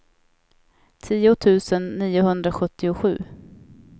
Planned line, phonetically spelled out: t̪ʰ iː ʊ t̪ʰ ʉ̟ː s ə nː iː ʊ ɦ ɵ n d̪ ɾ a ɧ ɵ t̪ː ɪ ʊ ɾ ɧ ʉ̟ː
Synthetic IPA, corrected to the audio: t̪ʰ iː ʊ t̪ʰ ʉ̟ː s ə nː iː ʊ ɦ ɵ n d̪ ɾ a ɧ ɵ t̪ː ɪ ʊ ɧ ʉ̟ː